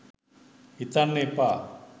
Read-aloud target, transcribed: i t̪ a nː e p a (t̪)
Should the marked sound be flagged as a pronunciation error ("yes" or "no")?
yes